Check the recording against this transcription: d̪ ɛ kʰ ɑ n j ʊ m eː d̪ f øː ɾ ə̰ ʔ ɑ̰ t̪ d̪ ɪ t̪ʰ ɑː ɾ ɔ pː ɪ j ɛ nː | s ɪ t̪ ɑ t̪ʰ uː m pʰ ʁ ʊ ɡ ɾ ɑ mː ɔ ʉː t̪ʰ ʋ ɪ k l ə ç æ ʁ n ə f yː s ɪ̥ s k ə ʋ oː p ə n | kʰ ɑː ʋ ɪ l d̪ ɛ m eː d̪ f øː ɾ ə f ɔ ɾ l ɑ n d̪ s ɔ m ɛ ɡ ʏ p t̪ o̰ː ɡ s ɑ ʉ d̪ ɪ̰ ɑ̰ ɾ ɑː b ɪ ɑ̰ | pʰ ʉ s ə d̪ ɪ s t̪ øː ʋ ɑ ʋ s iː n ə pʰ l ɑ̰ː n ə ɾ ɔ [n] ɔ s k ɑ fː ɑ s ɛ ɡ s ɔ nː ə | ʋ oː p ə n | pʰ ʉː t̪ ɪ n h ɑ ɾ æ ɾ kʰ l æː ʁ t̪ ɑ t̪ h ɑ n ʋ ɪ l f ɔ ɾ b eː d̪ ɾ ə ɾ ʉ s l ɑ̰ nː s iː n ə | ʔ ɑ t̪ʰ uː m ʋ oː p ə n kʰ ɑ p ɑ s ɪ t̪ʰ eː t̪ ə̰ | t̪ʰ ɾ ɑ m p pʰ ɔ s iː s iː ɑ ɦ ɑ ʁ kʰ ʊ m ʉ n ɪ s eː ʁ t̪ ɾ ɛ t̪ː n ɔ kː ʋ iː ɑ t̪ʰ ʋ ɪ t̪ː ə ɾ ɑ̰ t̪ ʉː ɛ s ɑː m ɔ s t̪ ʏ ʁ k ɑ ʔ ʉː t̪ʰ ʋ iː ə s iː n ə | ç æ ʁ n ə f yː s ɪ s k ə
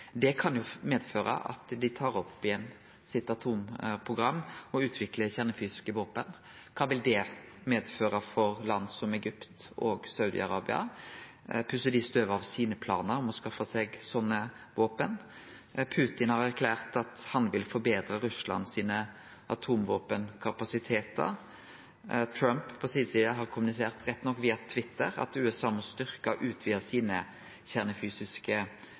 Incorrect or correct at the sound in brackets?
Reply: incorrect: m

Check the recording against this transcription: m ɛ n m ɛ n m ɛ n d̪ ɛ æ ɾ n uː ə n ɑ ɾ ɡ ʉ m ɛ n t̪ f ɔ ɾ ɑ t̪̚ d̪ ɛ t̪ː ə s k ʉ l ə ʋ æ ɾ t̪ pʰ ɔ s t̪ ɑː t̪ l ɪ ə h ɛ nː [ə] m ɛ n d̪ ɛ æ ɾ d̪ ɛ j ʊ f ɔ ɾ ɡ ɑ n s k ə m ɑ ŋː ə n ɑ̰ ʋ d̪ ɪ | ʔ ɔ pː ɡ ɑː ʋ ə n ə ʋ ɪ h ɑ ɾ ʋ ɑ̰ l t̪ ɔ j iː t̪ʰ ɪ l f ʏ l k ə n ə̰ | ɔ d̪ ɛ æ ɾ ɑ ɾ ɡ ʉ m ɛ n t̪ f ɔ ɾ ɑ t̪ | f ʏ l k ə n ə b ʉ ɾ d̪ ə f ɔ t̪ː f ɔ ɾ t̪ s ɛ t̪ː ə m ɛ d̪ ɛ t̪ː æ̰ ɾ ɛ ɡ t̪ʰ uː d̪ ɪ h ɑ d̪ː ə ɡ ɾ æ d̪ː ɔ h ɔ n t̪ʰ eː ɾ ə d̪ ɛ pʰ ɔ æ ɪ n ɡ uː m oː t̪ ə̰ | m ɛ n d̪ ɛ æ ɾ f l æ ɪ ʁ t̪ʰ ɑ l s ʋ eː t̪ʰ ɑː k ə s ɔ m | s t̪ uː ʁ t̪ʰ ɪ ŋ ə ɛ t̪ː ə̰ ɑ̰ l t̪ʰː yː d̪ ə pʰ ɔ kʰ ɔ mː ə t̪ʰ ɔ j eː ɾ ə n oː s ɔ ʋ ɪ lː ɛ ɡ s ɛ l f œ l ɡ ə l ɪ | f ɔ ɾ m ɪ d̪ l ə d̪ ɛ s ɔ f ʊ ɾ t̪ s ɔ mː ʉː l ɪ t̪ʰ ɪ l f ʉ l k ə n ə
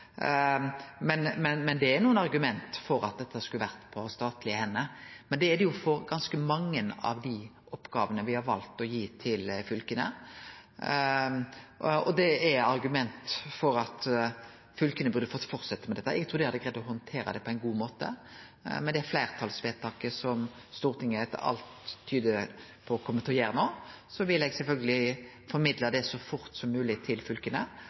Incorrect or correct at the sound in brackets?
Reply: correct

